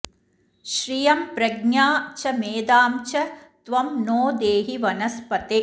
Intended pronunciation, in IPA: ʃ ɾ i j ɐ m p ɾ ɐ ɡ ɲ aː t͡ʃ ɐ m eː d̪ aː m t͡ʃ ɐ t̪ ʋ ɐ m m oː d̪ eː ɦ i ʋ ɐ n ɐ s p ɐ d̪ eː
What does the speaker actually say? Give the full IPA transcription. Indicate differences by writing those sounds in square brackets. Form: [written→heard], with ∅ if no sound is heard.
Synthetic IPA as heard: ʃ ɾ i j ɐ m p ɾ ɐ ɡ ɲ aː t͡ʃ ɐ m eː d̪ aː m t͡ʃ ɐ t̪ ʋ ɐ m [m→n] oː d̪ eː ɦ i ʋ ɐ n ɐ s p ɐ [d̪→t̪] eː